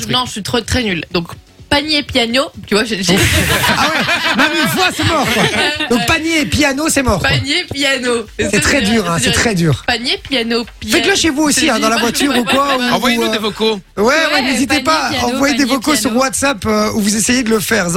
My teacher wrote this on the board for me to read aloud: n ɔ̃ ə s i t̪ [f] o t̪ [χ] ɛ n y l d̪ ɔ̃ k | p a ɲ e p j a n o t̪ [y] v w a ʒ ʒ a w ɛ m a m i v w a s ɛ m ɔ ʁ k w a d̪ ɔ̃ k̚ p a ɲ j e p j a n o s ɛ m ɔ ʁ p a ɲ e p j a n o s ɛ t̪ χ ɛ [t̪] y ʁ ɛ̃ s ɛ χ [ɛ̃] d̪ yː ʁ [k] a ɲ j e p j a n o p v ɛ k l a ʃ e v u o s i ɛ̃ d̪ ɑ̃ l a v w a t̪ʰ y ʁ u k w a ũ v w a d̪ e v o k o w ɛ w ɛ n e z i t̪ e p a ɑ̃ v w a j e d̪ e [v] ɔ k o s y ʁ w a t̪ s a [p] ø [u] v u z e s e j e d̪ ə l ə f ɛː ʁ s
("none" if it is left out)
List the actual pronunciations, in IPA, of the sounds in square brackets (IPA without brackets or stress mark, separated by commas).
χ, χ, y, d̪, ɛ, p, v, p, u